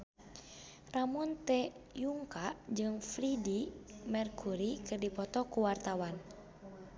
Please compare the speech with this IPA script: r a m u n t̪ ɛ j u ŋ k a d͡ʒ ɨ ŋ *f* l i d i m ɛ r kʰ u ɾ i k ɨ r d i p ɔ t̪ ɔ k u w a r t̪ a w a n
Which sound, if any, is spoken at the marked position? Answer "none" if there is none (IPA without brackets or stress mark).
f